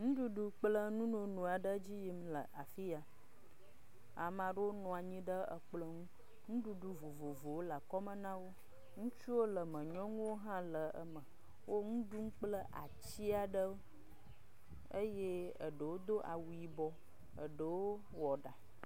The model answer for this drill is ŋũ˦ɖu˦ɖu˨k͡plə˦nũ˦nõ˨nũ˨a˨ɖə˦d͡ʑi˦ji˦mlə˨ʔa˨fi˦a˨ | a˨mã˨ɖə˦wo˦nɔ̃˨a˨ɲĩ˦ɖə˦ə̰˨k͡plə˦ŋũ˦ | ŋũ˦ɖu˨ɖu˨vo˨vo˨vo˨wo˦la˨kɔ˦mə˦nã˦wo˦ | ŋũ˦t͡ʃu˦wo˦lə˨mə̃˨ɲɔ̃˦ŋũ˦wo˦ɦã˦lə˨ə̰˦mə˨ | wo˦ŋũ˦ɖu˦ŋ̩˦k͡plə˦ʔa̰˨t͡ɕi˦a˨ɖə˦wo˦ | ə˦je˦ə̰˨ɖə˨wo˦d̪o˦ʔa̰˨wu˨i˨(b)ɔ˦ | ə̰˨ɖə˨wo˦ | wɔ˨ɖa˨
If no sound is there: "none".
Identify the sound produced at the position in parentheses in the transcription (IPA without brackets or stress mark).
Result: b